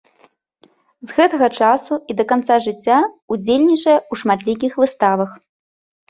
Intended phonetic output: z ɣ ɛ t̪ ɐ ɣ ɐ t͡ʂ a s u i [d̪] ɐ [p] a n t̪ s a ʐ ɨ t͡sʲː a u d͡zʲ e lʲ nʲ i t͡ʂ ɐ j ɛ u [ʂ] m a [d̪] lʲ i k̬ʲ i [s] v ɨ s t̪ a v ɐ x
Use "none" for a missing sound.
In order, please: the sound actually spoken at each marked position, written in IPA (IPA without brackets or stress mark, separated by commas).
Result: d̪, k, ʂ, t̪, x